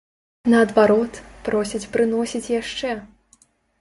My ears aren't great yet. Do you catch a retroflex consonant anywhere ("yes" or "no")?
yes